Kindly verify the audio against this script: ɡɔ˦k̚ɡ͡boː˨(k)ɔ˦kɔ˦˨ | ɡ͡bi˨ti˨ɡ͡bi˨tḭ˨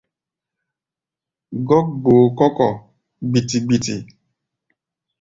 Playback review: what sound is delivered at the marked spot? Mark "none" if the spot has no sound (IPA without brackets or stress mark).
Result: k